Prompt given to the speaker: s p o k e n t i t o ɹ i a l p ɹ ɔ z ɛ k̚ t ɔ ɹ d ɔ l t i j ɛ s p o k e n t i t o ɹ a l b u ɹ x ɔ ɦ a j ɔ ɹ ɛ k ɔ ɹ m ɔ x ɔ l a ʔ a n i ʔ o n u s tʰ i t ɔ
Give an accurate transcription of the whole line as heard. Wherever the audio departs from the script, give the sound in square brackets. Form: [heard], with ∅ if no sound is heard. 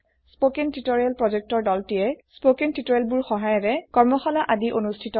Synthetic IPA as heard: s p o k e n t i t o ɹ i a l p ɹ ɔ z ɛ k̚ t ɔ ɹ d ɔ l t i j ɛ s p o k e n t i t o ɹ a l b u ɹ x ɔ ɦ a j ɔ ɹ ɛ k ɔ ɹ m ɔ x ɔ l a ʔ a [d] i ʔ o n u s tʰ i t ɔ